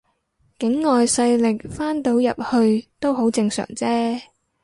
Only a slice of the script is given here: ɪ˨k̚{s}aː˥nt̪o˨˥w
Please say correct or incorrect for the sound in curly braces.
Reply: incorrect: f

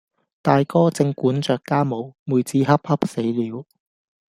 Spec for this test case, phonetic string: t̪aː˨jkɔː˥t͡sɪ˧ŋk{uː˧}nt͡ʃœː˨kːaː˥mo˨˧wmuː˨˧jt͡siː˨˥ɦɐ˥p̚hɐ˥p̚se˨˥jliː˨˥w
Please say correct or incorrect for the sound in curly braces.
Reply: incorrect: uː˨˥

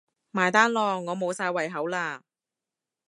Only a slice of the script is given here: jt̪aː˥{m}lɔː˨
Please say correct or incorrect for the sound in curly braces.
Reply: incorrect: n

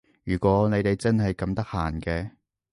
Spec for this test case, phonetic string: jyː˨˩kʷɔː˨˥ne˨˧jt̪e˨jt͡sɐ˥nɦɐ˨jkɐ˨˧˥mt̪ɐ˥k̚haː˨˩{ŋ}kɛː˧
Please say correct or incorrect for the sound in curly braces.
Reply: incorrect: n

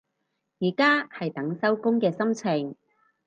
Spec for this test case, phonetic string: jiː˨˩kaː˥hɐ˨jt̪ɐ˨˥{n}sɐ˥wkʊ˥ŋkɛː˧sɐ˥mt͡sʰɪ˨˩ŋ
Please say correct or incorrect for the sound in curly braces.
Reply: incorrect: ŋ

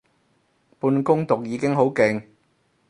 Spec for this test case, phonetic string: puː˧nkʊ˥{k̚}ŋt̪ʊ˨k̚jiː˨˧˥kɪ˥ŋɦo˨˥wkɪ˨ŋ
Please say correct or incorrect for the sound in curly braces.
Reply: incorrect: none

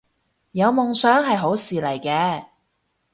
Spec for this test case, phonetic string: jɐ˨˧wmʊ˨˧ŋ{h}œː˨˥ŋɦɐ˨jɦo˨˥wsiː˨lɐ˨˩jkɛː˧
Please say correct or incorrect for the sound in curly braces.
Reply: incorrect: s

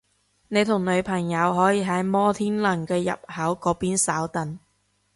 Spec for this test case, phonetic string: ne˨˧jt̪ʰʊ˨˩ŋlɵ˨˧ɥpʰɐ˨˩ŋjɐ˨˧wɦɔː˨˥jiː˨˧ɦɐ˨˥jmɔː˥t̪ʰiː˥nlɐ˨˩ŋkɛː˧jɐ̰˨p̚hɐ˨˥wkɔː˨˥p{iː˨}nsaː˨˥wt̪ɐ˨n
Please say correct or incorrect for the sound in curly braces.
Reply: incorrect: iː˥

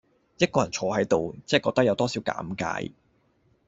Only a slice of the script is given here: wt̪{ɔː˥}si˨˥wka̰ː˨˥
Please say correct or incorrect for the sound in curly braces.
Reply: correct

